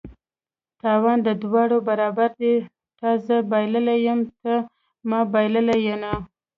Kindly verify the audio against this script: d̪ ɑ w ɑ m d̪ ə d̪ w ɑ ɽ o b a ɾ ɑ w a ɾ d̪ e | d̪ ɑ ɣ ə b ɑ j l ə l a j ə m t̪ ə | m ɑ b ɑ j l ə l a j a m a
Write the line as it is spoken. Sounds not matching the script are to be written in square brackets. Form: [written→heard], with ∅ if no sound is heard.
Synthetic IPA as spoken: [d̪→t̪] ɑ w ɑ [m→n] d̪ ə d̪ w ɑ ɽ o b a ɾ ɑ [w→b] a ɾ d̪ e | [d̪→t̪] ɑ [ɣ→z] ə b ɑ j l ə l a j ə m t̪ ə | m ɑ b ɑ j l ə l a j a [m→n] a